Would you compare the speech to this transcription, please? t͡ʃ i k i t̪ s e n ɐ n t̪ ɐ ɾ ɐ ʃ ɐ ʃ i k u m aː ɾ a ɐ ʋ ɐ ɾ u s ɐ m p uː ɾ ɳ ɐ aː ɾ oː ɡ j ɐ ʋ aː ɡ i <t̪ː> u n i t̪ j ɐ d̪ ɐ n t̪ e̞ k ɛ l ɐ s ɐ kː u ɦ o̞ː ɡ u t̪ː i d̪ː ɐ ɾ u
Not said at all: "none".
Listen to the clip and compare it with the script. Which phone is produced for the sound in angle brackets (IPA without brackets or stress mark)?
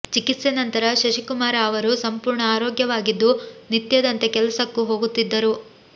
d̪ː